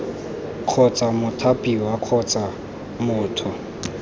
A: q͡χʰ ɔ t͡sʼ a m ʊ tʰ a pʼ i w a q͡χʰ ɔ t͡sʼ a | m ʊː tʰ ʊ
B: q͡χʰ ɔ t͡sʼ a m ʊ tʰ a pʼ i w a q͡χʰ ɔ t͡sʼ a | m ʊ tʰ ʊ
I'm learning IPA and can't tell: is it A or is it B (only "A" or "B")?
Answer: A